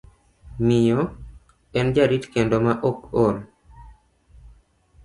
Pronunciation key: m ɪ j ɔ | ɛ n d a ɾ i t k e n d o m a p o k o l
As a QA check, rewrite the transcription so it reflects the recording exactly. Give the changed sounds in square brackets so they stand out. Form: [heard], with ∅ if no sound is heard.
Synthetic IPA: m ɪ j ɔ | ɛ n [d͡ʒ] a ɾ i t k e n d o m a [ʔ] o k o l